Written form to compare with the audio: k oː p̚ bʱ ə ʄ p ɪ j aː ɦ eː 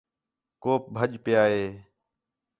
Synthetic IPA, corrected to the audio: k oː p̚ bʱ ə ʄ p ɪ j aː ɦ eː